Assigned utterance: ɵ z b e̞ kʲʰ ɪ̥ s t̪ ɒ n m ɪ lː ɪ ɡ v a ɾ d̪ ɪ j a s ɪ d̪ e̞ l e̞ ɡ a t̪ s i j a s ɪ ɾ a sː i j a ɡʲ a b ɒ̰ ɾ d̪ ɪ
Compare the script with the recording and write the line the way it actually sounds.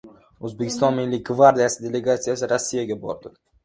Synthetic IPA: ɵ z b e̞ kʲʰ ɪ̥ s t̪ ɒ n m ɪ lː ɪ ɡ v a ɾ d̪ i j a s ɪ d̪ e̞ l e̞ ɡ a t̪ s i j a s ɪ ɾ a sː i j a ɡʲ a b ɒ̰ ɾ d̪ ɪ

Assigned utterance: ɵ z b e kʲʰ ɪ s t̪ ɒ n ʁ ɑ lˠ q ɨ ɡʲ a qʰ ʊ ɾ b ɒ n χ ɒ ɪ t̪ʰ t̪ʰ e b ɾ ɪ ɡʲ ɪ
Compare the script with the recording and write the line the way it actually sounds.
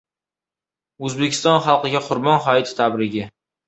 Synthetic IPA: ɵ z b e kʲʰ ɪ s t̪ ɒ n χ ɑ lˠ q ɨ ɡʲ a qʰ ʊ ɾ b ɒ n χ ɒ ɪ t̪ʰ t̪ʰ a b ɾ ɪ ɡʲ ɪ

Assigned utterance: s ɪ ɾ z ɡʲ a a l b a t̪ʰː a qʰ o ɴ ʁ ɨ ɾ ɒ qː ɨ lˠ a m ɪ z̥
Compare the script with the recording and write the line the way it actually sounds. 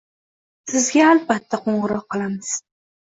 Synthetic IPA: s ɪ z ɡʲ a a l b a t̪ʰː a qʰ o ɴ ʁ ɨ ɾ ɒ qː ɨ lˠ a m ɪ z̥

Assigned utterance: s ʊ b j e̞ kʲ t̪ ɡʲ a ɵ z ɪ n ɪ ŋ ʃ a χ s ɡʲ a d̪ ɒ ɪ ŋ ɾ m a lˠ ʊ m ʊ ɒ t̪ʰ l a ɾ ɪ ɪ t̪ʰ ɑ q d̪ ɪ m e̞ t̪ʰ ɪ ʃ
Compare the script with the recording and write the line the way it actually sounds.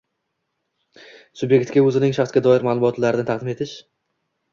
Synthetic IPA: s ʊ b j e̞ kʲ t̪ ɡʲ a ɵ z ɪ n ɪ ŋ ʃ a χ s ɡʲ a d̪ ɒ ɪ ɾ m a lˠ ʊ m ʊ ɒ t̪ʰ l a ɾ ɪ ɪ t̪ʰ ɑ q d̪ ɪ m e̞ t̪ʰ ɪ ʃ

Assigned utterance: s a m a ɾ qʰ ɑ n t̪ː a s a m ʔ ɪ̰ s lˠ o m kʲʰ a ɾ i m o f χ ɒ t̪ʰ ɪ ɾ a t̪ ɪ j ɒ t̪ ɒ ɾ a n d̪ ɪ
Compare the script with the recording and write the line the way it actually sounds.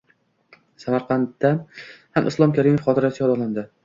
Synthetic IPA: s a m a ɾ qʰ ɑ n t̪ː a h a m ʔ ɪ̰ s lˠ ɒ m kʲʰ a ɾ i m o f χ ɒ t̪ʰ ɪ ɾ a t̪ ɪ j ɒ d̪ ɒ l a n d̪ ɪ

